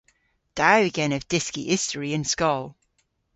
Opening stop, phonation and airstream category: plain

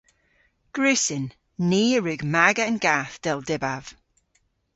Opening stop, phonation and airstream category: plain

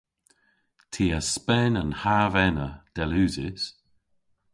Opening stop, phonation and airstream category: aspirated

